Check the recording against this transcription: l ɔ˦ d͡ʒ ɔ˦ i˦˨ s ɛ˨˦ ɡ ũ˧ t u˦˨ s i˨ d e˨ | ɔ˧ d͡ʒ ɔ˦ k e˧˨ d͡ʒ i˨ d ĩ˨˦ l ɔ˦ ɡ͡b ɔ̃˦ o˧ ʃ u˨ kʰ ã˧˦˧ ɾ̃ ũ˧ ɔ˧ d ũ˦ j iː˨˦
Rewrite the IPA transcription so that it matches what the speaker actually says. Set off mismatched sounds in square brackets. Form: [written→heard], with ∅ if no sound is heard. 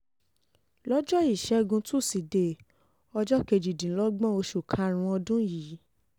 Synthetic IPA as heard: l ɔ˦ d͡ʒ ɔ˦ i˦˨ [s→ʃ] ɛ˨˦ ɡ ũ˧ t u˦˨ s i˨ d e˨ | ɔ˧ d͡ʒ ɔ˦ k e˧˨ d͡ʒ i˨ d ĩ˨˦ l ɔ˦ ɡ͡b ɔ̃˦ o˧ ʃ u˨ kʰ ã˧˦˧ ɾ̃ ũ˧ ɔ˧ d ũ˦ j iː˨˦